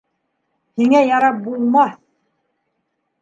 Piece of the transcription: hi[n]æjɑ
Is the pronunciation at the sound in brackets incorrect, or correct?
incorrect